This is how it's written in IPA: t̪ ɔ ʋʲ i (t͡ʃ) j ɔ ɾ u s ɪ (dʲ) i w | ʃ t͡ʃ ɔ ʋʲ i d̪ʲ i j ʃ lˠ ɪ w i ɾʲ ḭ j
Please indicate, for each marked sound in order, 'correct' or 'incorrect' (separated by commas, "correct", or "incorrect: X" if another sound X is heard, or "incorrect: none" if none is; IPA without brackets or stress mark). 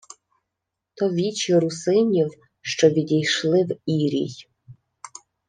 correct, incorrect: nʲ